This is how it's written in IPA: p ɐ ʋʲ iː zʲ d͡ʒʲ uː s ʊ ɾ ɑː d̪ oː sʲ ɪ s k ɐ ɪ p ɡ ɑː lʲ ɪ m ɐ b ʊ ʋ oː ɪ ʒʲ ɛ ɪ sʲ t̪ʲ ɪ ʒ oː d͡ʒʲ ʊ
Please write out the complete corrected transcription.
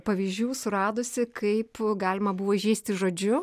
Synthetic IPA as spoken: p ɐ ʋʲ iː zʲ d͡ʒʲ uː s ʊ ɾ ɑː d̪ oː sʲ ɪ k ɐ ɪ p ɡ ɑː lʲ ɪ m ɐ b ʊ ʋ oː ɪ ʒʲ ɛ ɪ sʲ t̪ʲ ɪ ʒ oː d͡ʒʲ ʊ

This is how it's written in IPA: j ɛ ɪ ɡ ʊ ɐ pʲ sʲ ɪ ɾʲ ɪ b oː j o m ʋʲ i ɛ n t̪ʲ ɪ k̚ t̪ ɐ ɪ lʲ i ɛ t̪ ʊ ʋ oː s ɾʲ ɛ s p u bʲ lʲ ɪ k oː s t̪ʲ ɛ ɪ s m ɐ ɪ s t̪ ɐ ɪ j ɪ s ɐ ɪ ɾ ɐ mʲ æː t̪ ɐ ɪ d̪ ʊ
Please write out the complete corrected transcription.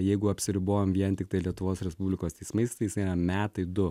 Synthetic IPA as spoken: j ɛ ɪ ɡ ʊ ɐ pʲ sʲ ɪ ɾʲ ɪ b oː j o m ʋʲ i ɛ n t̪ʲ ɪ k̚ t̪ ɐ ɪ lʲ i ɛ t̪ ʊ ʋ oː s ɾʲ ɛ s p u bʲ lʲ ɪ k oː s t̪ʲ ɛ ɪ s m ɐ ɪ s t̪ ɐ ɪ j ɪ s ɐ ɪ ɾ ɐ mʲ æː t̪ ɐ ɪ d̪ ʊ

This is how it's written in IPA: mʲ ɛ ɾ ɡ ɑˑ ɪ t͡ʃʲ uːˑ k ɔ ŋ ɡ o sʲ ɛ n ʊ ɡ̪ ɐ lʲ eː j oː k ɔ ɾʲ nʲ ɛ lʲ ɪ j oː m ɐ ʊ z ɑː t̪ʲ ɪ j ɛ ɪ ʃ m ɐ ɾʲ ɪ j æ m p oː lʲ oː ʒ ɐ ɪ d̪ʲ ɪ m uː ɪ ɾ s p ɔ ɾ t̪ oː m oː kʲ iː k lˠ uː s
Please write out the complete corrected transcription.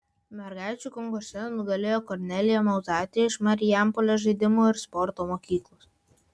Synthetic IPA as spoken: mʲ ɛ ɾ ɡ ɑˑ ɪ t͡ʃʲ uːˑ k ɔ ŋ ɡ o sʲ ɛ n ʊ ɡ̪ ɐ lʲ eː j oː k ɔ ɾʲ nʲ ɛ lʲ ɪ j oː m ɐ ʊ z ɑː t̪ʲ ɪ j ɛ ɪ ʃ m ɐ ɾʲ ɪ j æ m p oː lʲ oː ʒ ɐ ɪ d̪ʲ ɪ m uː ɪ ɾ s p ɔ ɾ t̪ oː m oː kʲ iː k lˠ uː s

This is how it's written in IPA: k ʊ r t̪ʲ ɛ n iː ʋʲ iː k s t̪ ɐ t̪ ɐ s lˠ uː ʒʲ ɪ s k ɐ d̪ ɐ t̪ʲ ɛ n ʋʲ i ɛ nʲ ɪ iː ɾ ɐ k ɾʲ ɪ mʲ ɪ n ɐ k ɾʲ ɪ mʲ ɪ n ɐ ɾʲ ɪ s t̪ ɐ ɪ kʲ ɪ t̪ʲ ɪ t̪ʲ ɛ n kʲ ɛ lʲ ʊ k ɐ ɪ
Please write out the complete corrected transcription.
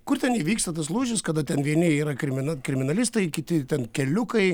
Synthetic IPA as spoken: k ʊ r t̪ʲ ɛ n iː ʋʲ iː k s t̪ ɐ t̪ ɐ s lˠ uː ʒʲ ɪ s k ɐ d̪ ɐ t̪ʲ ɛ n ʋʲ i ɛ nʲ ɪ iː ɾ ɐ k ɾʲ ɪ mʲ ɪ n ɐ k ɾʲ ɪ mʲ ɪ n ɐ lʲ ɪ s t̪ ɐ ɪ kʲ ɪ t̪ʲ ɪ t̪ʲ ɛ n kʲ ɛ lʲ ʊ k ɐ ɪ

